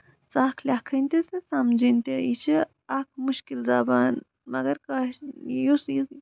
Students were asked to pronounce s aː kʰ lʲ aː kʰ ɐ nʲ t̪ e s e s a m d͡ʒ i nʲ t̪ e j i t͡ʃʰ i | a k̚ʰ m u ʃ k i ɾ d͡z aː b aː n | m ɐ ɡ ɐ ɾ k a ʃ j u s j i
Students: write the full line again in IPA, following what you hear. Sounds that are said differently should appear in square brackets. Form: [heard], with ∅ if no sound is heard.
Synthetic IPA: s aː kʰ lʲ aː kʰ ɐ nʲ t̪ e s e s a m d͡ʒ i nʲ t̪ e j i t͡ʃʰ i | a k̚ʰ m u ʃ k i [l] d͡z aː b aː n | m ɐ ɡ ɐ ɾ k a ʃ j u s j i